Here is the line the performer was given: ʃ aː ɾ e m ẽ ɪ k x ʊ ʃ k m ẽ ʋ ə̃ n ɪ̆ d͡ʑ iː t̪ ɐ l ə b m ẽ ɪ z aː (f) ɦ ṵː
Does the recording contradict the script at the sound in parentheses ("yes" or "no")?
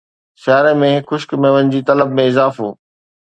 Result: no